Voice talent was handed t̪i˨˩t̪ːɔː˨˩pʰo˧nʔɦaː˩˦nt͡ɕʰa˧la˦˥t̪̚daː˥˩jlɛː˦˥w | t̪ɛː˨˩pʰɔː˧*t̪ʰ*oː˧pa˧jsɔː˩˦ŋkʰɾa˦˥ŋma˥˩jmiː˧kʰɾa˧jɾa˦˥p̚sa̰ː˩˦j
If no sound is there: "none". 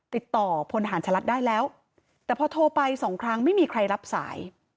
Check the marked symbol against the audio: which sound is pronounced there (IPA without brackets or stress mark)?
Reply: t̪ʰ